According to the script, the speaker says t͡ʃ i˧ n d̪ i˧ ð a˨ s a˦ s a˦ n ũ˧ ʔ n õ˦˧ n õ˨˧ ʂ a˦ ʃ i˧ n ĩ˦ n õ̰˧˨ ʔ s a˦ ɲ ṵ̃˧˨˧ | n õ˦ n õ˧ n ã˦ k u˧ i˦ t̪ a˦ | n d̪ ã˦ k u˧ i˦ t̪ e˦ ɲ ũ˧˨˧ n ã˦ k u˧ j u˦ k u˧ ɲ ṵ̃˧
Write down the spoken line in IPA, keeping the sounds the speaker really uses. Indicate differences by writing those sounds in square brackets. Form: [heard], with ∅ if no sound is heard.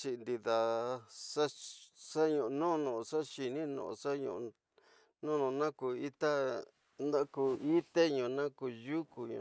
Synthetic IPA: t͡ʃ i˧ n d̪ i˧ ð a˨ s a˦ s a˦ [ɲ] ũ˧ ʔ n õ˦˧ n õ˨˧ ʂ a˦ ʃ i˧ n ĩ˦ n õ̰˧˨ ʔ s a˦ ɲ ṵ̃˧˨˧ | n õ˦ n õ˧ n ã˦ k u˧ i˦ t̪ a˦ | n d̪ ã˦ k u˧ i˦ t̪ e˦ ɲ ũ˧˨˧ n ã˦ k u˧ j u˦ k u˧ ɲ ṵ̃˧